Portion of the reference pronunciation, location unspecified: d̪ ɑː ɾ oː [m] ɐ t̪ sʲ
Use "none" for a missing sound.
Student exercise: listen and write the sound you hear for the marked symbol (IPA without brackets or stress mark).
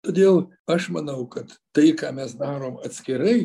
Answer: m